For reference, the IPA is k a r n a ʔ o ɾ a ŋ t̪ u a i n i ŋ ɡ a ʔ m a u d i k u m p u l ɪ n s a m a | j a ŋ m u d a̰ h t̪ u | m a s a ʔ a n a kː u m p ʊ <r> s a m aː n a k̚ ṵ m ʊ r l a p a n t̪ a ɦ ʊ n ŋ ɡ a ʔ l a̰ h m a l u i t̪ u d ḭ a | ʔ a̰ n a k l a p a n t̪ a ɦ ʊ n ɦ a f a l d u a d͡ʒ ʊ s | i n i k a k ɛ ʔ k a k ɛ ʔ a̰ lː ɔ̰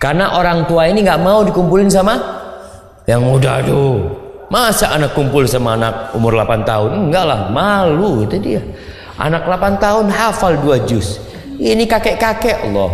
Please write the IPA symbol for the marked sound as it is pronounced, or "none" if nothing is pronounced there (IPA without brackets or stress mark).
l